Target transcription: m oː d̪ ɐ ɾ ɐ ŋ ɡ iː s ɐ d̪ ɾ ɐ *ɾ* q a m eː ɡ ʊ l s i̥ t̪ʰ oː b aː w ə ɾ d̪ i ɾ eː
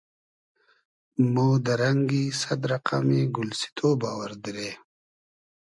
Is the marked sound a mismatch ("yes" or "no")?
yes